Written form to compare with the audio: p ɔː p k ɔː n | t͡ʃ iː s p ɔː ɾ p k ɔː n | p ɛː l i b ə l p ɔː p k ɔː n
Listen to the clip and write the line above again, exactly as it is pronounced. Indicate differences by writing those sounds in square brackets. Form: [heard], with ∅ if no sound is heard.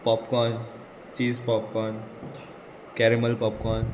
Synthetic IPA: p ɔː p k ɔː n | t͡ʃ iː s p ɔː [∅] p k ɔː n | [k] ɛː [ɾ] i [m] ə l p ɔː p k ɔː n